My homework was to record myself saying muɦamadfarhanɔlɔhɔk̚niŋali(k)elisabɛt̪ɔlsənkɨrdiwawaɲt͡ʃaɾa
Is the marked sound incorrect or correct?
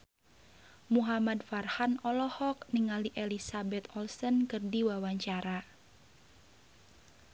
incorrect